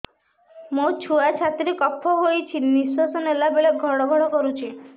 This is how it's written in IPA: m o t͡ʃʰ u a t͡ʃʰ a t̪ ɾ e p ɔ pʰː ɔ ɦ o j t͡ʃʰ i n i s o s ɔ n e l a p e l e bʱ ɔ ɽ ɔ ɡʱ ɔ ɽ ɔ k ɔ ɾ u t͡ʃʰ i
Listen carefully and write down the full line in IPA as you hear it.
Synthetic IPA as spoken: m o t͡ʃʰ u a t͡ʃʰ a t̪ ɾ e k ɔ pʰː ɔ ɦ o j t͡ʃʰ i n i s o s ɔ n e l a b e ɭ e ɡʱ ɔ ɽ ɔ ɡʱ ɔ ɽ ɔ k ɔ ɾ u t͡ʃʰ i